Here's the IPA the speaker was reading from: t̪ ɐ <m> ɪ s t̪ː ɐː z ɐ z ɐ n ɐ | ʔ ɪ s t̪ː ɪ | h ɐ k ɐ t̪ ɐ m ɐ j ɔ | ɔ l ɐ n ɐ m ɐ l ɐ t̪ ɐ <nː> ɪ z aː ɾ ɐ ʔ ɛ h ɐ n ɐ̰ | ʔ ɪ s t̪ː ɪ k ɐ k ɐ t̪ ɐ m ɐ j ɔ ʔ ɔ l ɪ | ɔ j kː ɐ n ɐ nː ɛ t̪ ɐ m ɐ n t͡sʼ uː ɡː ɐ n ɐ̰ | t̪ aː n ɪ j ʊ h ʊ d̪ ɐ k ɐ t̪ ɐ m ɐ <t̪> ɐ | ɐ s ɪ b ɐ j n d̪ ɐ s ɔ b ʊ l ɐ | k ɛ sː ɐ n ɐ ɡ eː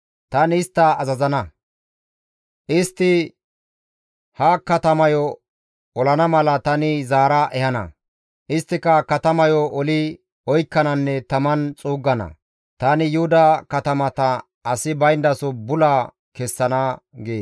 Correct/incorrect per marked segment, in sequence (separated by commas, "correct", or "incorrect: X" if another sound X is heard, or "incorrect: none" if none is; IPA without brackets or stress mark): incorrect: n, incorrect: n, correct